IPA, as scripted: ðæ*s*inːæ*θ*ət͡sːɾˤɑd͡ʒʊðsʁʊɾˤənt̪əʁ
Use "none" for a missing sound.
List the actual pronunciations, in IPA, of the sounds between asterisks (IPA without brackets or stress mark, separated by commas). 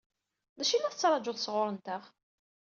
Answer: ʃ, θ